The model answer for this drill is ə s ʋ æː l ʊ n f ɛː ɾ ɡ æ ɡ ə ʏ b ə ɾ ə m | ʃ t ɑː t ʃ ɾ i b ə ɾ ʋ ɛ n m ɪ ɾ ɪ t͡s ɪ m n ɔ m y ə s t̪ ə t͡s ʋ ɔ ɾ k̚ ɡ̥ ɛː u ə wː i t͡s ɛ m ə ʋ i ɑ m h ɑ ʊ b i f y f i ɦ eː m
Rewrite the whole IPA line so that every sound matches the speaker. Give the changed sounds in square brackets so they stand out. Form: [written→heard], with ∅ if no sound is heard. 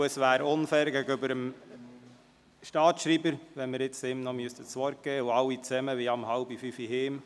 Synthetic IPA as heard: ə s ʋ æː [l→ɾ] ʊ n f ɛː ɾ ɡ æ ɡ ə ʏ b ə ɾ ə m | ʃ t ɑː t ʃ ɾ i b ə ɾ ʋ ɛ n m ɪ ɾ ɪ t͡s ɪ m n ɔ m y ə s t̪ ə t͡s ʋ ɔ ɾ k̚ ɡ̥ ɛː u [ə→ɑ] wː i t͡s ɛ m ə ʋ i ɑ m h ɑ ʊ b i f y f i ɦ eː m